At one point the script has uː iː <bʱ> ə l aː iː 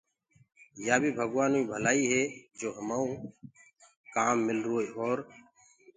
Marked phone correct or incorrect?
correct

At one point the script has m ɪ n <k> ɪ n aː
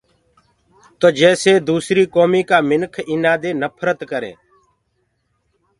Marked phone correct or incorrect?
incorrect: kʰ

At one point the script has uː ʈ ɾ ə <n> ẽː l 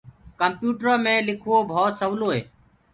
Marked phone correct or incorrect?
incorrect: m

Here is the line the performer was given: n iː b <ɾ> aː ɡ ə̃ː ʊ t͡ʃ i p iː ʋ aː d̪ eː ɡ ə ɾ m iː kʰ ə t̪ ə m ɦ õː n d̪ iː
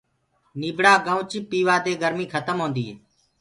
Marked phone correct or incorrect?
incorrect: ɽ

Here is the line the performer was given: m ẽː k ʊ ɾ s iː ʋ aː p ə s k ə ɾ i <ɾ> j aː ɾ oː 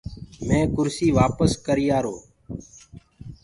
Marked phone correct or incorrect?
incorrect: none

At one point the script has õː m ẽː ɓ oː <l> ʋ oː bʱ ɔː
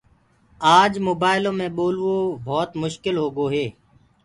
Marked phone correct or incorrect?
correct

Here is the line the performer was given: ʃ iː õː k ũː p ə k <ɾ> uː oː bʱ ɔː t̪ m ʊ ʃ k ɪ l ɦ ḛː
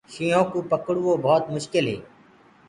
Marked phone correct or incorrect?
incorrect: ɽ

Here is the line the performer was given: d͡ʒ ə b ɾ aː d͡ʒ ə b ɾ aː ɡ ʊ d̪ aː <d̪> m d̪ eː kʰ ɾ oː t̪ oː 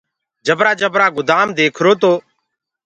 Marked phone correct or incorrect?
incorrect: none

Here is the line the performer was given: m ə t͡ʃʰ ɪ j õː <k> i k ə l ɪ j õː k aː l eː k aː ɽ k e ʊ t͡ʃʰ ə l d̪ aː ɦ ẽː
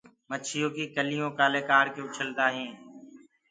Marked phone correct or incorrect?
correct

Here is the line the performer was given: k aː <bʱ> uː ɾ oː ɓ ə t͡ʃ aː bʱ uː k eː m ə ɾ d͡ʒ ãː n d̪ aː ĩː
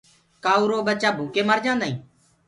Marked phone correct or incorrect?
incorrect: none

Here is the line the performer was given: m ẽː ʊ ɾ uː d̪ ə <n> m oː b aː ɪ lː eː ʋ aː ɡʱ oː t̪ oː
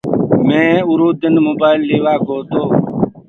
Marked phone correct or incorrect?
correct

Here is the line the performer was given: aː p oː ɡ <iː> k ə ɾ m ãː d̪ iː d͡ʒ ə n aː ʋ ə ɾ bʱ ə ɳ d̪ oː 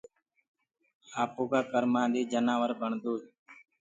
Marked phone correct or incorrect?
incorrect: aː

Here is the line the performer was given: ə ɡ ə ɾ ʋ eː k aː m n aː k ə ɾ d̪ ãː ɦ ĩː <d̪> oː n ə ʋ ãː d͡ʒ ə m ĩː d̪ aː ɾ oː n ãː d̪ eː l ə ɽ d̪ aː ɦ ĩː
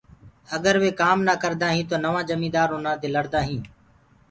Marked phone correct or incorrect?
incorrect: t̪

